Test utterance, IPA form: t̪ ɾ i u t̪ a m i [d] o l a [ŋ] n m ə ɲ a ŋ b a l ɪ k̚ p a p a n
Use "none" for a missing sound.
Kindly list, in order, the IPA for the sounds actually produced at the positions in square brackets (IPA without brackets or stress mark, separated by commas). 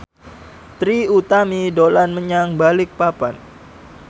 d, none